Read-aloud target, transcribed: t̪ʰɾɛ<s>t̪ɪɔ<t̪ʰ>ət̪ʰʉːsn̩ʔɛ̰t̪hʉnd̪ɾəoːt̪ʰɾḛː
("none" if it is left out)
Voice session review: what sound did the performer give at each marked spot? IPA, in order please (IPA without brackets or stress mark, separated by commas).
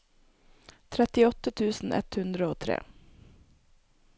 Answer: none, t̪